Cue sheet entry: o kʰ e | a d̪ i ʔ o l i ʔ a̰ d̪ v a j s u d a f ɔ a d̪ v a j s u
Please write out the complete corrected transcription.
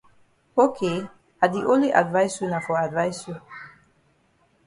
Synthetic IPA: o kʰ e | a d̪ i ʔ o l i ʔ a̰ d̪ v a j s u n a f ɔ a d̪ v a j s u